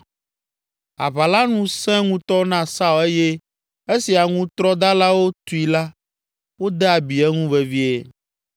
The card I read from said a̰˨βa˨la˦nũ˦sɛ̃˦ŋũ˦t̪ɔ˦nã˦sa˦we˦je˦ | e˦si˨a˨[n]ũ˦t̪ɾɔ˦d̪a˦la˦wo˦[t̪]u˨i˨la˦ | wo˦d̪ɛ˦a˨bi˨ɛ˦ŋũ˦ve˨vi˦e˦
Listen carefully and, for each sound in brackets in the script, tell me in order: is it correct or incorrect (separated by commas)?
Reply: incorrect, correct